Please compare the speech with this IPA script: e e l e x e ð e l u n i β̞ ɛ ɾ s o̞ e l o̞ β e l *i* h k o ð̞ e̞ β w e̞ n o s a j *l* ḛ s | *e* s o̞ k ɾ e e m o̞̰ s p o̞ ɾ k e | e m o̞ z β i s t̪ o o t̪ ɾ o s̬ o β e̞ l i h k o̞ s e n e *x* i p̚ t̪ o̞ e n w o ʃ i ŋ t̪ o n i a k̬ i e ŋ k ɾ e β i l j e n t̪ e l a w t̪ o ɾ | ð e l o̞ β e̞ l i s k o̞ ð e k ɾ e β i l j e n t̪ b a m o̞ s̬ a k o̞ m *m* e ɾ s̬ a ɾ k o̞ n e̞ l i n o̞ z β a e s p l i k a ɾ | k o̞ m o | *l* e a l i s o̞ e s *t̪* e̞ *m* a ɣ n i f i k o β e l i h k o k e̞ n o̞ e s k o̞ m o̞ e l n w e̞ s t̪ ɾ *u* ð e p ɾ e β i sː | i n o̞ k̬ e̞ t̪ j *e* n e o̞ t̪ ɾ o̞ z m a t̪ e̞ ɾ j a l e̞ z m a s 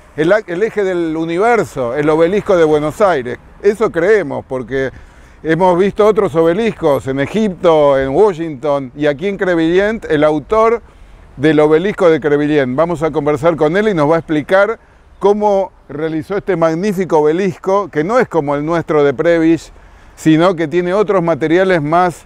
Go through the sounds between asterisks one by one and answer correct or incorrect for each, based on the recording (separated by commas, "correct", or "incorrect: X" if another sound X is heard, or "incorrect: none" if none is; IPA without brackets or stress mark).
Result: correct, incorrect: ɾ, correct, correct, incorrect: b, incorrect: r, correct, correct, incorrect: o, correct